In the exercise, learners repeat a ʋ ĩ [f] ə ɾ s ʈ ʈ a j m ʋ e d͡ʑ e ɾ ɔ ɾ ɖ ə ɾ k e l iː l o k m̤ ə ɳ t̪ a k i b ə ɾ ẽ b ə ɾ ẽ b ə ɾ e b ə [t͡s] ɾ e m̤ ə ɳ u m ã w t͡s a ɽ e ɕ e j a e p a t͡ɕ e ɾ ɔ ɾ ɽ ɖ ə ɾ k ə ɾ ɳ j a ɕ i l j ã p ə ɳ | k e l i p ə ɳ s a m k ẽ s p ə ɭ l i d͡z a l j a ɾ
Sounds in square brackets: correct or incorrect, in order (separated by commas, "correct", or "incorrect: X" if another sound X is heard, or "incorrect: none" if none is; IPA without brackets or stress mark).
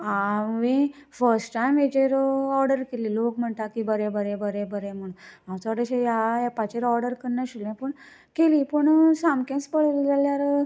correct, incorrect: none